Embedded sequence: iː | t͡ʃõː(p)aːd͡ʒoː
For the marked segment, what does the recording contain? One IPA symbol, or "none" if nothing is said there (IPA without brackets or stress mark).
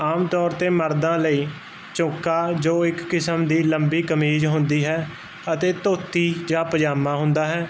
k